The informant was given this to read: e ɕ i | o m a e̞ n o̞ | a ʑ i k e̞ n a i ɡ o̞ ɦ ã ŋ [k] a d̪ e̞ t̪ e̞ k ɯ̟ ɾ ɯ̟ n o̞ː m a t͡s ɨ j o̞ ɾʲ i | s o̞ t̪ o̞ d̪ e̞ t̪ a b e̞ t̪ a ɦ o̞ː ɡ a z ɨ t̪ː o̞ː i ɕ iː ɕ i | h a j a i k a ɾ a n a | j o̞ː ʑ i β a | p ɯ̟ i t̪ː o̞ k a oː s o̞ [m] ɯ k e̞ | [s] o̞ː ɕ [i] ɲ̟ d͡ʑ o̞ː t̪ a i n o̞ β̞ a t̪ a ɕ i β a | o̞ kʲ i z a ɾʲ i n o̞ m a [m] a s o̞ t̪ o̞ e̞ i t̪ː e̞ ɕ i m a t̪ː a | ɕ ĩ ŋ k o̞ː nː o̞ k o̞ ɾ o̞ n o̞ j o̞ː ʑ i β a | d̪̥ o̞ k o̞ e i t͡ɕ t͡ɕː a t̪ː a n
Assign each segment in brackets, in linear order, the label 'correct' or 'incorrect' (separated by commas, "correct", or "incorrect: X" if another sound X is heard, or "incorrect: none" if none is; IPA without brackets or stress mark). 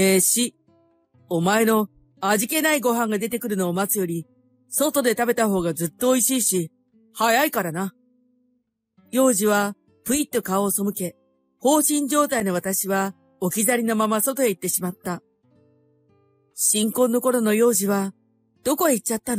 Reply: incorrect: ɡ, correct, incorrect: h, incorrect: ĩ, correct